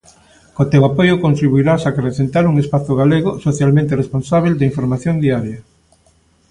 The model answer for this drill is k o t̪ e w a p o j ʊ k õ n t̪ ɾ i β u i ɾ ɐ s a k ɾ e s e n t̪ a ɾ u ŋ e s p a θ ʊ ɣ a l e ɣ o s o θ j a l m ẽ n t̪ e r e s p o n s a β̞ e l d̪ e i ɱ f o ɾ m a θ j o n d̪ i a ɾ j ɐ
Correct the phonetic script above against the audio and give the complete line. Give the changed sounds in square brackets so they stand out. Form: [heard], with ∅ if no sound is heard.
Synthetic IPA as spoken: k o t̪ e w a p o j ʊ k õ n t̪ ɾ i β u i ɾ [a] s a k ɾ e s e n t̪ a ɾ u ŋ e s p a θ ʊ ɣ a l e ɣ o s o θ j a l m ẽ n t̪ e r e s p o n s a β̞ e l d̪ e i ɱ f o ɾ m a θ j o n d̪ i a ɾ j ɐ